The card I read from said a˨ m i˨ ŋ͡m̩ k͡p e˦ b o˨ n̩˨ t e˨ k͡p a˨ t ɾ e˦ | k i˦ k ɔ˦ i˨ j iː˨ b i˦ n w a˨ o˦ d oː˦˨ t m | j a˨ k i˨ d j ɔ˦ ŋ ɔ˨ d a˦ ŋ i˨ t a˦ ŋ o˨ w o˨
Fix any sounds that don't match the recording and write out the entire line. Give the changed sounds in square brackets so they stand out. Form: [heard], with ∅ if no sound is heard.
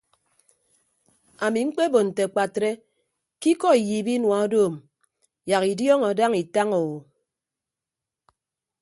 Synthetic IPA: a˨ m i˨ ŋ͡m̩ k͡p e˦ b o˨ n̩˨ t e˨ k͡p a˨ t ɾ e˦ | k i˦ k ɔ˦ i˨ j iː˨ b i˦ n w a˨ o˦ d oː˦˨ [∅] m | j a˨ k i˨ d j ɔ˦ ŋ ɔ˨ d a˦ ŋ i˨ t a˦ ŋ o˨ w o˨